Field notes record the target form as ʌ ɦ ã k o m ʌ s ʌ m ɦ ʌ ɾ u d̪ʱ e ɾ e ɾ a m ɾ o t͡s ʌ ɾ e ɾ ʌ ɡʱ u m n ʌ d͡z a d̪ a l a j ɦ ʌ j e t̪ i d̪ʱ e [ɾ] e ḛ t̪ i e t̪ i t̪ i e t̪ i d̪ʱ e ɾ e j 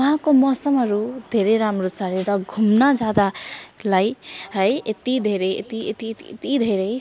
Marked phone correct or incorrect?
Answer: correct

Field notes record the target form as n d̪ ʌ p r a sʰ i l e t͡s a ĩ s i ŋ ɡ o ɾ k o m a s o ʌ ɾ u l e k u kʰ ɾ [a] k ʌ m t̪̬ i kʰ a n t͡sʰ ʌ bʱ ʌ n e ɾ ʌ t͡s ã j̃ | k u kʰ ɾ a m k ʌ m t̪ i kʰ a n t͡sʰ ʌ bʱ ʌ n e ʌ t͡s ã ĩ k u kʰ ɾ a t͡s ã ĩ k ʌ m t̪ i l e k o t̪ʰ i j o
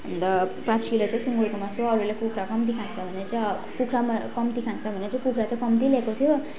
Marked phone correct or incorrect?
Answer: correct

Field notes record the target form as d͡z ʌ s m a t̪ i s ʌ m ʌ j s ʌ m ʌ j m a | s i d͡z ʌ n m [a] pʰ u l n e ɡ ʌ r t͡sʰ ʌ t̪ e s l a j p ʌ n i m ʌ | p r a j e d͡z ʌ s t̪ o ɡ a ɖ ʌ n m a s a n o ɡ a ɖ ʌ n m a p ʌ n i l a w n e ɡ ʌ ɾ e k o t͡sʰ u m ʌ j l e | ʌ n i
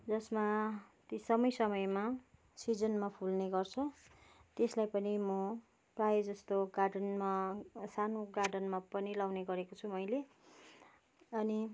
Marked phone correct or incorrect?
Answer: correct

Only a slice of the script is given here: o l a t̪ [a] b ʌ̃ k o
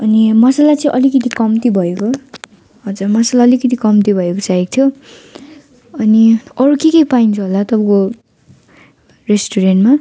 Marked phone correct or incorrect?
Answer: incorrect: ʌ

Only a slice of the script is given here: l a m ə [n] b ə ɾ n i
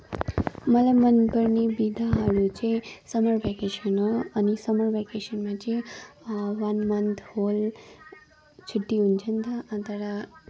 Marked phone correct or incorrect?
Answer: correct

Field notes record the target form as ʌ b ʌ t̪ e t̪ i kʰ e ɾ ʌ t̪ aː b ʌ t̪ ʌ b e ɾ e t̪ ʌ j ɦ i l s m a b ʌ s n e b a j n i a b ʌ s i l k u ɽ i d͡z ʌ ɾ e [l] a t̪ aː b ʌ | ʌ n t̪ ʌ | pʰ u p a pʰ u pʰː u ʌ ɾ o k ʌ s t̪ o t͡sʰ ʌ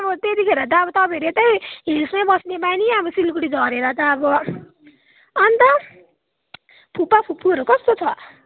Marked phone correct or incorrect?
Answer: incorrect: ɾ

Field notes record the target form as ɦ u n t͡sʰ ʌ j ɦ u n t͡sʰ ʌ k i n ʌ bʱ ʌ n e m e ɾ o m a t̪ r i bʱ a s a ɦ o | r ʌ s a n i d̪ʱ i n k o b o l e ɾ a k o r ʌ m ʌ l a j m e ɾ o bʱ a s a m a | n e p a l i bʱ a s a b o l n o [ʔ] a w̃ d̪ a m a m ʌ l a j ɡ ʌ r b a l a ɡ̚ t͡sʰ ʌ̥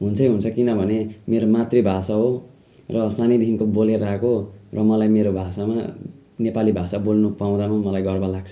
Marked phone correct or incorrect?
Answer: incorrect: p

